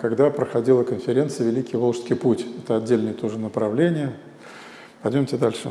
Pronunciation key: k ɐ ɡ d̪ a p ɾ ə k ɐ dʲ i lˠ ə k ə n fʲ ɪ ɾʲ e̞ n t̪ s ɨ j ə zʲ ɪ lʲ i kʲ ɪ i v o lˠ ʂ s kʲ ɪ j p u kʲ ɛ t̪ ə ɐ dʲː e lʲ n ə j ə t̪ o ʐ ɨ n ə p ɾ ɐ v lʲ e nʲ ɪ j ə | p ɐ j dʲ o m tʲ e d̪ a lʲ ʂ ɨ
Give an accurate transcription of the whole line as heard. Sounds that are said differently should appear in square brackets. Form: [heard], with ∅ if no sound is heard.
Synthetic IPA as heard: k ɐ ɡ d̪ a p ɾ ə [x] ɐ dʲ i lˠ ə k ə n fʲ ɪ ɾʲ e̞ n t̪ s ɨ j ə [vʲ] ɪ lʲ i kʲ ɪ [j] v o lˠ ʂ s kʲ ɪ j p u [tʲ] ɛ t̪ ə ɐ dʲː e lʲ n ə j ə t̪ o ʐ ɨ n ə p ɾ ɐ v lʲ e nʲ ɪ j ə | p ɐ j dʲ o m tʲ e d̪ a lʲ ʂ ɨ